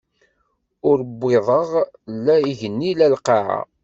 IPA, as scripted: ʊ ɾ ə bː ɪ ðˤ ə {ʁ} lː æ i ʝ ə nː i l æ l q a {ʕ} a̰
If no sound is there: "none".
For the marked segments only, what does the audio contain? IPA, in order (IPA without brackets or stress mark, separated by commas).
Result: ʁ, ʕ